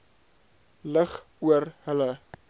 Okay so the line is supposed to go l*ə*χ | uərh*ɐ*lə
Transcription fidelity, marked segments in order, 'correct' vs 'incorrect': correct, incorrect: ə

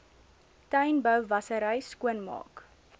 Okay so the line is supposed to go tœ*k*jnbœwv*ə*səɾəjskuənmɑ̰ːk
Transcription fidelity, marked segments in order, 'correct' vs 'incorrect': incorrect: none, incorrect: ɐ

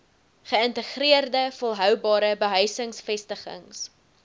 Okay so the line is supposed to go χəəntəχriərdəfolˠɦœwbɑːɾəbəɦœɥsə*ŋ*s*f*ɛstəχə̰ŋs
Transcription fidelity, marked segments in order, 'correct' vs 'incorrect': correct, correct

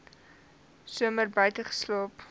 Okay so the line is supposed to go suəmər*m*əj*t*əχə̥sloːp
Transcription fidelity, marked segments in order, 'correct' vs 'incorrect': incorrect: b, correct

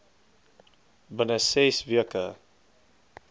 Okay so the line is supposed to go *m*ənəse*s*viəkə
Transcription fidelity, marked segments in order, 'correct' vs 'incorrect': incorrect: b, correct

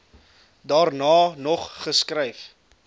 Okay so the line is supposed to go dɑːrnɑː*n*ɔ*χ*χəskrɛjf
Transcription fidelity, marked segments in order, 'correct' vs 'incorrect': correct, correct

